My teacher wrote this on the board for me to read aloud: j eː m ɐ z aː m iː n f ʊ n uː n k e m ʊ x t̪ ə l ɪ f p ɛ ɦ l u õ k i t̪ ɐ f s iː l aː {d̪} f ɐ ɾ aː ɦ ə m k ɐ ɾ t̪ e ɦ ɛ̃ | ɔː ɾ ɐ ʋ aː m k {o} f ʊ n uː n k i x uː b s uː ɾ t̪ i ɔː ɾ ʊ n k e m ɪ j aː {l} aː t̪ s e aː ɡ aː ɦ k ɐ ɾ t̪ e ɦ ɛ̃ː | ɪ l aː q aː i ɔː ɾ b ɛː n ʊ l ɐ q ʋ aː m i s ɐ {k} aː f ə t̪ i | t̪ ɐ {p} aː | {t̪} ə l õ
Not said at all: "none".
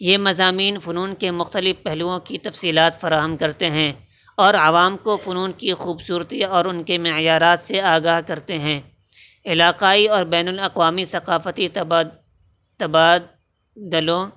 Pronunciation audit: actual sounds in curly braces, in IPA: t̪, o, ɾ, q, b, d̪

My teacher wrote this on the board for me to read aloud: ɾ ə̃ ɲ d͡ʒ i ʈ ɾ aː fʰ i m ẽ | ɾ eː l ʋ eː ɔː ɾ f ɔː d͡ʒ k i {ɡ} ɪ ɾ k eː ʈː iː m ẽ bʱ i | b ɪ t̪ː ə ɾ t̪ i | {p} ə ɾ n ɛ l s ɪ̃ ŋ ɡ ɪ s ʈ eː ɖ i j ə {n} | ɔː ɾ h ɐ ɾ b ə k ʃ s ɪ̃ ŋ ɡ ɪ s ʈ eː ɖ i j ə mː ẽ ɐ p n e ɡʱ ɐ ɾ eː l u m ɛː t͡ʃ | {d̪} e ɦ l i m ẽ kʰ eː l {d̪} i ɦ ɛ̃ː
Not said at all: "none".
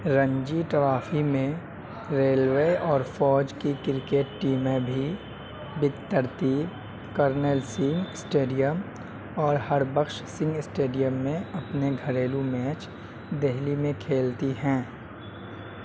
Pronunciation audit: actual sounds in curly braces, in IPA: k, k, m, d̪, t̪

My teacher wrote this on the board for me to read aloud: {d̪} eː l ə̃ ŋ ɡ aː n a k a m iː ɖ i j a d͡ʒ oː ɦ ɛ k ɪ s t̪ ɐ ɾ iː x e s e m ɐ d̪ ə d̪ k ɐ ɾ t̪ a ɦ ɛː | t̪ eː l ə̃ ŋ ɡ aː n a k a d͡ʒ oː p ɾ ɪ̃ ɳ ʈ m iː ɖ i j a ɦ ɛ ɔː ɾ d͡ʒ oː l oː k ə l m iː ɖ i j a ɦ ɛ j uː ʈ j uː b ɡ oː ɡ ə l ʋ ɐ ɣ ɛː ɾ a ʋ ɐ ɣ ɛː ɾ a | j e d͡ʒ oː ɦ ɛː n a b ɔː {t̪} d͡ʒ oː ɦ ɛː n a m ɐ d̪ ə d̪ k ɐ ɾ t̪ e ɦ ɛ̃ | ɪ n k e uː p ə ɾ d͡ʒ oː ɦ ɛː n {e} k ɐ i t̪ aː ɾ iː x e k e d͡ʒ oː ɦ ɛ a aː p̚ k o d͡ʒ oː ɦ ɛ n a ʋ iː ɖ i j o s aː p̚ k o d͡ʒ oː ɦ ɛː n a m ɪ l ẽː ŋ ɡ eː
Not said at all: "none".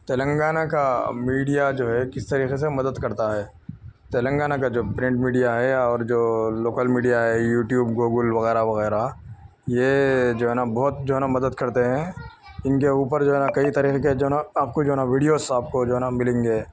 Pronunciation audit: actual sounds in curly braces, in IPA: t̪, t̪, a

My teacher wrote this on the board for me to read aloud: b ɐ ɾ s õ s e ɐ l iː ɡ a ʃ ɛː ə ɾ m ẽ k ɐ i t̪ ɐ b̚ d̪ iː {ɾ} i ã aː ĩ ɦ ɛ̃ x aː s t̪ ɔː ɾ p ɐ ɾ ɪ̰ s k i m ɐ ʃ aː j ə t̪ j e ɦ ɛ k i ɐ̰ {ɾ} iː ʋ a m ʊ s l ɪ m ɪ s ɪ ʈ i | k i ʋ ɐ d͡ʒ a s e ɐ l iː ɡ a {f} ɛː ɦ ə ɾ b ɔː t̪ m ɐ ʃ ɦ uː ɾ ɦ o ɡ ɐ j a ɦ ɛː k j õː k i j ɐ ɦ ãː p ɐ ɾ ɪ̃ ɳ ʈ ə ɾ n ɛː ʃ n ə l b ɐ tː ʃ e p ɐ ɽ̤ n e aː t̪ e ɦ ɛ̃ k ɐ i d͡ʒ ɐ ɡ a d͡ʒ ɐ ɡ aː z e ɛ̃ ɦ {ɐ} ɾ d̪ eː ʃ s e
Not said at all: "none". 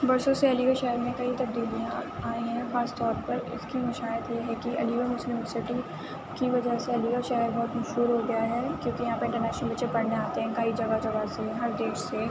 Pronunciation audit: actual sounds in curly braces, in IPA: l, l, ʃ, ɐ

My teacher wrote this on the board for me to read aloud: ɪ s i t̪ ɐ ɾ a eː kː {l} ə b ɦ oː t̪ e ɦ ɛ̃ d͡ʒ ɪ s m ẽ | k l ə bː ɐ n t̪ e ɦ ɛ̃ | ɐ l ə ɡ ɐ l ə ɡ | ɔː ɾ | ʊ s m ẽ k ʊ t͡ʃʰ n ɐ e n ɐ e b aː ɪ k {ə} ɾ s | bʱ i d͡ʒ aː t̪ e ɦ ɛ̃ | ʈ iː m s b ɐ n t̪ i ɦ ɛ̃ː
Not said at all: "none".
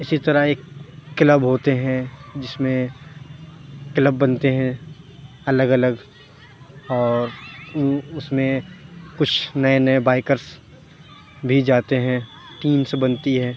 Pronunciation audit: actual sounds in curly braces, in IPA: l, ə

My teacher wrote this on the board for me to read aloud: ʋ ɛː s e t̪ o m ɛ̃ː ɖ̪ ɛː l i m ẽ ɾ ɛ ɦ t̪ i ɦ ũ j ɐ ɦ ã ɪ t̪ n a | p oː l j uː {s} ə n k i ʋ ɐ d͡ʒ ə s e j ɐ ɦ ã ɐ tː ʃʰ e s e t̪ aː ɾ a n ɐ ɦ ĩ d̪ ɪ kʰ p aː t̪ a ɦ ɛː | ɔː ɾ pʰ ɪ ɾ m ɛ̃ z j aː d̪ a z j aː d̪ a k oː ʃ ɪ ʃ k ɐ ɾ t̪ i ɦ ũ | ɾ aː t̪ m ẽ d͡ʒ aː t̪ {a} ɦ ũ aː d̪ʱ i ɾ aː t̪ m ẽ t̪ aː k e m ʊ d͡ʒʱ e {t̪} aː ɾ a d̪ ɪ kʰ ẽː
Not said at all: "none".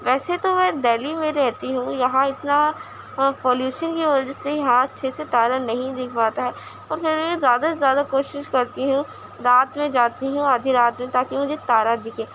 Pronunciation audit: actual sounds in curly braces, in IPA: ʃ, i, t̪

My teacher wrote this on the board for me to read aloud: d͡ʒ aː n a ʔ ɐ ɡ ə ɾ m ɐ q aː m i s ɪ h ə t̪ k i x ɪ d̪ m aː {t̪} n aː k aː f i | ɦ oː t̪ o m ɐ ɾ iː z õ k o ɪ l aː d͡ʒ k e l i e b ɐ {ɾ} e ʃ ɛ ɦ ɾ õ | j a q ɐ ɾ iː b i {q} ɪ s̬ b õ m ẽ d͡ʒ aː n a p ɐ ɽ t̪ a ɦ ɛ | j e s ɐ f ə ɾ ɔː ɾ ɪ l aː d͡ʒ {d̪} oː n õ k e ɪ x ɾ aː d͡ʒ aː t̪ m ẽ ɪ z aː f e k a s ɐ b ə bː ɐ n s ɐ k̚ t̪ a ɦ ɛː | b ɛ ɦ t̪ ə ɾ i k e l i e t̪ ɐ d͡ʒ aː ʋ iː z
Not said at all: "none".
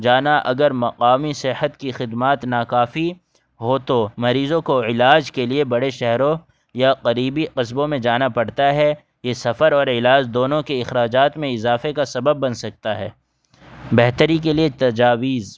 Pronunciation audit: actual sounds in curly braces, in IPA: t̪, ɽ, q, d̪

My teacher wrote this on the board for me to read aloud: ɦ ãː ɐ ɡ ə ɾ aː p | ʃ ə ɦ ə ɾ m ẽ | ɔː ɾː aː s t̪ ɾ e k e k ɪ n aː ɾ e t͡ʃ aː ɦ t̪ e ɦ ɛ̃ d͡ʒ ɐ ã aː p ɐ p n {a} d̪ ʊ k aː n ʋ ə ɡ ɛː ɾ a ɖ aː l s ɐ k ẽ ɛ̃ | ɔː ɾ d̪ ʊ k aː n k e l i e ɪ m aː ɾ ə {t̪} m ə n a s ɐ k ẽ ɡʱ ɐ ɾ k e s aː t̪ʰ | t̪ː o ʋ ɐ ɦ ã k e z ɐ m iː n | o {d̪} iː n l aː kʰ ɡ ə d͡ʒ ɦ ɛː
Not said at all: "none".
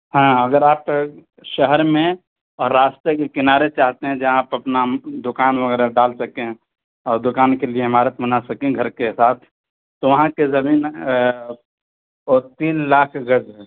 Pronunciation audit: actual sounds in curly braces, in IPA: a, t̪, t̪

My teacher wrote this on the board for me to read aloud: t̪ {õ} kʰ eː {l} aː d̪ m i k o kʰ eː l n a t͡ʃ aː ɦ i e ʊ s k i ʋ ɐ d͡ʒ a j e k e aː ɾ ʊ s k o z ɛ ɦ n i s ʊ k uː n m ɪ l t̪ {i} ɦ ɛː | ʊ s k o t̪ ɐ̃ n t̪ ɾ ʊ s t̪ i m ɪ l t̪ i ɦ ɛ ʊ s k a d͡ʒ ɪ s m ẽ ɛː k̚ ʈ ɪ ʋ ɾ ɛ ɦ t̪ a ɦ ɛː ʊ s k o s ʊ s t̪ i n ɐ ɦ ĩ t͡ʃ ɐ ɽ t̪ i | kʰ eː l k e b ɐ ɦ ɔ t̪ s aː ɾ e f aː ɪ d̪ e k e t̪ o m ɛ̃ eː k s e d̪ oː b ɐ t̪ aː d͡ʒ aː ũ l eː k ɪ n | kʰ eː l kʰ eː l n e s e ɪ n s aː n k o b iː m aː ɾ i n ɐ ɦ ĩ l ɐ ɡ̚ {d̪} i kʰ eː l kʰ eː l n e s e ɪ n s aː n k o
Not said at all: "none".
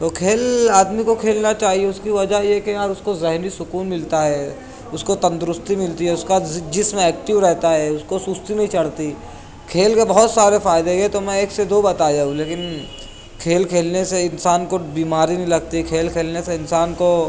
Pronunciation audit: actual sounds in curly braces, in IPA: o, l, a, t̪

